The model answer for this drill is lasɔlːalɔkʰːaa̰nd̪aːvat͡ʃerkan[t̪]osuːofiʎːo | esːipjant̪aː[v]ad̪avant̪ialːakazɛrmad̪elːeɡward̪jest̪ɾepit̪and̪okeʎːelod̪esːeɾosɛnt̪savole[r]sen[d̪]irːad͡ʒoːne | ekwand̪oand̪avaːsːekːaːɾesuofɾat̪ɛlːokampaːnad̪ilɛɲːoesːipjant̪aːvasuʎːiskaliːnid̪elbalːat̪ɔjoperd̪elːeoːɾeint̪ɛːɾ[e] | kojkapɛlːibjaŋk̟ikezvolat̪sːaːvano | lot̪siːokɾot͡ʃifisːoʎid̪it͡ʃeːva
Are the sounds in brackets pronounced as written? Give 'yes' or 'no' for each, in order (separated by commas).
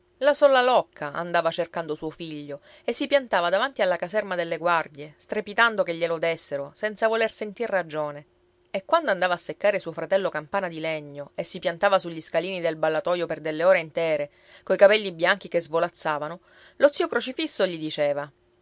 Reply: no, yes, yes, no, yes